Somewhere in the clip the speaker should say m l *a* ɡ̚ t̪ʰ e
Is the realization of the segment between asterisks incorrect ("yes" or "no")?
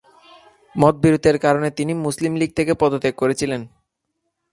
yes